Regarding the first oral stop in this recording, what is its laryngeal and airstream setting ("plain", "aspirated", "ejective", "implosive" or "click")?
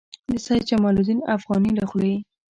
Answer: plain